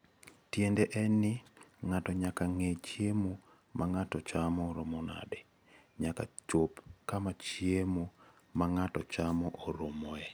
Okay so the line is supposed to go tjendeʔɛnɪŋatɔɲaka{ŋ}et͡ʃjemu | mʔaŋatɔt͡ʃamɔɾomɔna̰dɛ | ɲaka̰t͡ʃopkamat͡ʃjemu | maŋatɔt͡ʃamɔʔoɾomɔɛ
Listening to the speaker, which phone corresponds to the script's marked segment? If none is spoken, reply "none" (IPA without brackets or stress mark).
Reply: ŋ